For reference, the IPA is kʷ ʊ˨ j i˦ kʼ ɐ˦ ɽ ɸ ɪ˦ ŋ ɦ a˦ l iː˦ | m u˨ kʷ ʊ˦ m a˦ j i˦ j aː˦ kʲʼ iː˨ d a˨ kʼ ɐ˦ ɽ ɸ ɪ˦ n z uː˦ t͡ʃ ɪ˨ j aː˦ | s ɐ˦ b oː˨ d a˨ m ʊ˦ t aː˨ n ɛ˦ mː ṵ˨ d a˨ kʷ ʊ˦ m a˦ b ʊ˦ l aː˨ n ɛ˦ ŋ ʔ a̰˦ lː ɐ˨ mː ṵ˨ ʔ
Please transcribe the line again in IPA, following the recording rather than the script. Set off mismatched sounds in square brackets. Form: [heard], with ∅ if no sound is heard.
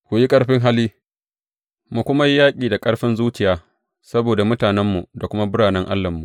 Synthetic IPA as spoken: kʷ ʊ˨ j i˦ kʼ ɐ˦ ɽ ɸ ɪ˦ ŋ ɦ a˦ l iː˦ | m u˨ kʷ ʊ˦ m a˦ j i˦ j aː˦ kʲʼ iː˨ d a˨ kʼ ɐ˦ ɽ ɸ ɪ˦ n z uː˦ t͡ʃ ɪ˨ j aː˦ | s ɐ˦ b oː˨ d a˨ m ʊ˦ t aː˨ n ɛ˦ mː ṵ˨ d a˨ kʷ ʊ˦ m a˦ b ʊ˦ [ɽ] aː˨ n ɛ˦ ŋ ʔ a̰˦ lː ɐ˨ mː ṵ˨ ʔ

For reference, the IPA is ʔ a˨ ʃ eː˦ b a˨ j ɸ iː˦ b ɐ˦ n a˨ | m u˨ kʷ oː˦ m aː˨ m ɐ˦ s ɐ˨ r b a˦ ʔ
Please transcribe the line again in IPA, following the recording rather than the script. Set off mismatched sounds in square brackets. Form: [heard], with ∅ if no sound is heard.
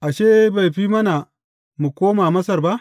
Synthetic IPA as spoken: ʔ a˨ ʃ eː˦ b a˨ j ɸ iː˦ [m] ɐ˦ n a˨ | m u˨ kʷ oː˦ m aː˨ m ɐ˦ s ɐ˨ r b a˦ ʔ

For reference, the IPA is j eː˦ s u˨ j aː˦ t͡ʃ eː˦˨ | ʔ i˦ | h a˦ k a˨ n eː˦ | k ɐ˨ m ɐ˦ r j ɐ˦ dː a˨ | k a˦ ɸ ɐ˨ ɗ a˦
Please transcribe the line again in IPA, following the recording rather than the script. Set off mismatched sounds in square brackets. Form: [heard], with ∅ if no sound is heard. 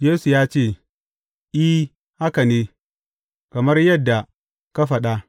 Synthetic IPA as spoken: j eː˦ s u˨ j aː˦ t͡ʃ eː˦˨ | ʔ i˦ | h a˦ k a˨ n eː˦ | k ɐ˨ m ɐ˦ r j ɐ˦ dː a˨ | k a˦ ɸ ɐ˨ ɗ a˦

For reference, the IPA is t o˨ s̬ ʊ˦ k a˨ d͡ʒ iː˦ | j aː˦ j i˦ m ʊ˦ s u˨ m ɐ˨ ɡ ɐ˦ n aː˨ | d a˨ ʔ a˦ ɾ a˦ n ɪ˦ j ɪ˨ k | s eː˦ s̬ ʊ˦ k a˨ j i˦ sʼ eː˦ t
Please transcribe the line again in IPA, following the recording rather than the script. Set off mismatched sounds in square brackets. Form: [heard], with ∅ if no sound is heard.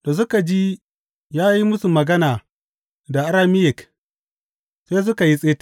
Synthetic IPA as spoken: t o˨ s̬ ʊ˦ k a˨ d͡ʒ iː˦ | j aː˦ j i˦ m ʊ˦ s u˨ m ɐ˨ ɡ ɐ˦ n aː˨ | d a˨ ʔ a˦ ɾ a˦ [m] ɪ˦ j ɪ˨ k | s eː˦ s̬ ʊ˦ k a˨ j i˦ sʼ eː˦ t

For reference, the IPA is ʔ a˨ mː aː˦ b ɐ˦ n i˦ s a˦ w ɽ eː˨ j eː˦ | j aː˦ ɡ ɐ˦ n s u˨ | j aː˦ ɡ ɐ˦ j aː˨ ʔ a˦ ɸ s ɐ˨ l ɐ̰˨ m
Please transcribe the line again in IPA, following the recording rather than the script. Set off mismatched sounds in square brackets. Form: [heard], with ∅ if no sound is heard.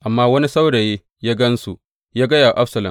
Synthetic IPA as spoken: ʔ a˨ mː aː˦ [w] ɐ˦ n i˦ s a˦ w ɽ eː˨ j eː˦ | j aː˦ ɡ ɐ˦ n s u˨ | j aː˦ ɡ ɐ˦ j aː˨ ʔ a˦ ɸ s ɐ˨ l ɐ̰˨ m

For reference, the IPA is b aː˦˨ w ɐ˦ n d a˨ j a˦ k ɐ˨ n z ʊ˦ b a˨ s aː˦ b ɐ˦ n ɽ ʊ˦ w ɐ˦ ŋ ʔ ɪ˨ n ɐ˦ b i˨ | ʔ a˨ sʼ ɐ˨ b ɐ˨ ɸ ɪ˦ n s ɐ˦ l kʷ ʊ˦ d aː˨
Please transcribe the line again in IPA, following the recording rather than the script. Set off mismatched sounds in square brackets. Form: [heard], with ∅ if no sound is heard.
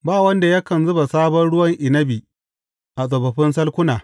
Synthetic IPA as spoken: b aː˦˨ w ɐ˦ n d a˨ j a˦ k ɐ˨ n z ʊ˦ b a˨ s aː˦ b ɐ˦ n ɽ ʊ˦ w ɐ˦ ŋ ʔ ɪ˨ n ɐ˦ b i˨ | ʔ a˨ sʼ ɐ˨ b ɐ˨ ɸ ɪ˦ n s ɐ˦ l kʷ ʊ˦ [n] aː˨

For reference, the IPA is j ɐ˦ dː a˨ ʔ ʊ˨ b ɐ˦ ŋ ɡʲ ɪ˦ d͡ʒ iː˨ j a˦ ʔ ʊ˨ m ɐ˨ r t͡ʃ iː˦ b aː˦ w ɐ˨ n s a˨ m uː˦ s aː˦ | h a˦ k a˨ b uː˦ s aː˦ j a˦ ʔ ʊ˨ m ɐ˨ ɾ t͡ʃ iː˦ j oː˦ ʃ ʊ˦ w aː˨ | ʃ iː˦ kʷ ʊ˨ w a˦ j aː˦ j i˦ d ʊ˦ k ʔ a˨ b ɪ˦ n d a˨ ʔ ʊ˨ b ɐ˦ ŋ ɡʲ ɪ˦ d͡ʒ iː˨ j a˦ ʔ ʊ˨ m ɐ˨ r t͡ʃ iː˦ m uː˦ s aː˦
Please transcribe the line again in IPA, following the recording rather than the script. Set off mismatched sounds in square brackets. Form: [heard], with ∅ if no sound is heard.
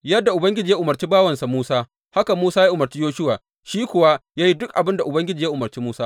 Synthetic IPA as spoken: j ɐ˦ dː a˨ ʔ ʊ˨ b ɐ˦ ŋ ɡʲ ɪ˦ d͡ʒ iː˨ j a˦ ʔ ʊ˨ m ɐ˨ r t͡ʃ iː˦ b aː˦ w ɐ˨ n s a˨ m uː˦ s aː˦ | h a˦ k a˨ [m] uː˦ s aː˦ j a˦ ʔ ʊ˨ m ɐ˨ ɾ t͡ʃ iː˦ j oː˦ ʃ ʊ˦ w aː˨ | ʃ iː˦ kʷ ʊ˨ w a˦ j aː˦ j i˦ d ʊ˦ k ʔ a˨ b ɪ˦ n d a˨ ʔ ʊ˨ b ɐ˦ ŋ ɡʲ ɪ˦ d͡ʒ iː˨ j a˦ ʔ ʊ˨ m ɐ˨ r t͡ʃ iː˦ m uː˦ s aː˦

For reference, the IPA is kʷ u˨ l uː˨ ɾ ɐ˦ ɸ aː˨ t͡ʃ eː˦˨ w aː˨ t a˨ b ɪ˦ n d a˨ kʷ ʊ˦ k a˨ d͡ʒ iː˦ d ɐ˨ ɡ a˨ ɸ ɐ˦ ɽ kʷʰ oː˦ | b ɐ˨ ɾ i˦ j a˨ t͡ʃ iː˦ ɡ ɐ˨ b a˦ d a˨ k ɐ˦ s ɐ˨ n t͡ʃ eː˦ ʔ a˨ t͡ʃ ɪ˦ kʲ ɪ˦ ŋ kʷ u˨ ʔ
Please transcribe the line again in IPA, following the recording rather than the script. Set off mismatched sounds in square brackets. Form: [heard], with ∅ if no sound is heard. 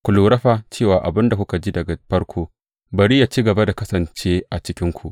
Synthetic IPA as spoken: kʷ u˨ l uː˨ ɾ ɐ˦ ɸ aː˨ t͡ʃ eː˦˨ w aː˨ [ʔ] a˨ b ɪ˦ n d a˨ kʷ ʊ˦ k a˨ d͡ʒ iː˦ d ɐ˨ ɡ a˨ ɸ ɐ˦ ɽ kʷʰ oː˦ | b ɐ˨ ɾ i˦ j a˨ t͡ʃ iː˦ ɡ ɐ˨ b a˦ d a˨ k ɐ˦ s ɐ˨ n t͡ʃ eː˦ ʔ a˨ t͡ʃ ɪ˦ kʲ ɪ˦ ŋ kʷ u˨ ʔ

